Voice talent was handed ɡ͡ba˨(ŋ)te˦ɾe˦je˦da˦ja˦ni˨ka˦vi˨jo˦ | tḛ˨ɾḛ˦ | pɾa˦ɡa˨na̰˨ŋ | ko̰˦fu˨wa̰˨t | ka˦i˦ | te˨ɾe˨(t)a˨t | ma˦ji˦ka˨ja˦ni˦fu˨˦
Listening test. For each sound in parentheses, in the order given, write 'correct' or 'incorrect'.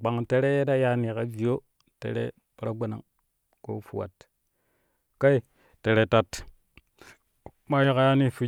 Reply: correct, correct

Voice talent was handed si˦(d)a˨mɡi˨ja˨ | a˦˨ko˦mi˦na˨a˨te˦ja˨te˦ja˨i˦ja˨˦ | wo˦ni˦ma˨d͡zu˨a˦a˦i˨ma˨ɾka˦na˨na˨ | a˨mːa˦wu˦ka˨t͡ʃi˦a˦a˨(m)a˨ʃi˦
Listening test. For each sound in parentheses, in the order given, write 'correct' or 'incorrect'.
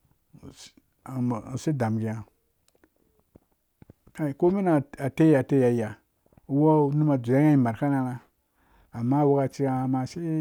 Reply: correct, correct

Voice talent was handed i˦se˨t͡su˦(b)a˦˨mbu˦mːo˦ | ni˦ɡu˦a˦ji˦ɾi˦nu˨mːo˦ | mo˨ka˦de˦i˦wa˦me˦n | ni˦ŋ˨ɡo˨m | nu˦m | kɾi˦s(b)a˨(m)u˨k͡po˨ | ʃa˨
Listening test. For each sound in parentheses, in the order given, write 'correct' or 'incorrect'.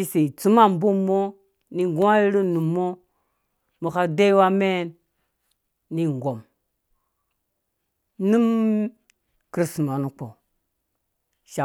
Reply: incorrect: m, incorrect: m, incorrect: n

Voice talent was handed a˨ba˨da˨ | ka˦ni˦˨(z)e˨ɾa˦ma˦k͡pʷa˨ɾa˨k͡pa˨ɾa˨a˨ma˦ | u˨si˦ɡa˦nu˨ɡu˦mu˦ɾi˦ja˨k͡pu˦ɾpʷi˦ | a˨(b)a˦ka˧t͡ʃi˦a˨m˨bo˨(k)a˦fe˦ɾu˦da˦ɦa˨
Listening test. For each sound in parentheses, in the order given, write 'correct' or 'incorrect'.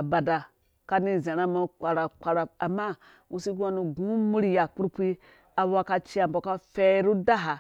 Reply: correct, incorrect: w, correct

